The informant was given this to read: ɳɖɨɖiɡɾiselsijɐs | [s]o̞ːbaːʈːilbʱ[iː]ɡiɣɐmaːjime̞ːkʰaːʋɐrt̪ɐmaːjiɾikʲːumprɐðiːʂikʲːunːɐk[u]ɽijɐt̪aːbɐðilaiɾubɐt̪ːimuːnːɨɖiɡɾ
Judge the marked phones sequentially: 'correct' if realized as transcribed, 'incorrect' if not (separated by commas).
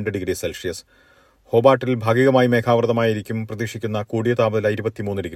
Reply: incorrect, incorrect, incorrect